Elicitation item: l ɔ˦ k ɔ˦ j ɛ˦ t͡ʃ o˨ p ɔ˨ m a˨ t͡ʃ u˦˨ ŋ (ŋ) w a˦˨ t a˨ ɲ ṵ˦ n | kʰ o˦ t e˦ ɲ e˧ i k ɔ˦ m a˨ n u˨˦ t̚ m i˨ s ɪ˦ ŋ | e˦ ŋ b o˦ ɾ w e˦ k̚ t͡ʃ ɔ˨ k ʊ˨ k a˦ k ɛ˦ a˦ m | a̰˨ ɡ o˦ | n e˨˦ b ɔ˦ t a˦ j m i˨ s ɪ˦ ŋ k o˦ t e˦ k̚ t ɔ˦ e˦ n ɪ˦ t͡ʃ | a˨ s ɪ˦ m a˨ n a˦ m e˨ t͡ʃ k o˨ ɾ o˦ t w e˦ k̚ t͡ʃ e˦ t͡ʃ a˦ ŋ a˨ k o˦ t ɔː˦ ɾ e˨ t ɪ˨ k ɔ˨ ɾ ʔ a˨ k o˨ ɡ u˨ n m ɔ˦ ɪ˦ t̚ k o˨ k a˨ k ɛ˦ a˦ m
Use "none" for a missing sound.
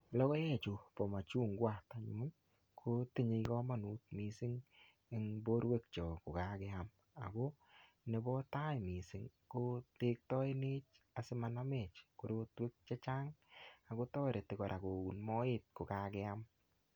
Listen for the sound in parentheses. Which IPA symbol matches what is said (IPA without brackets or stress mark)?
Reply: ɡ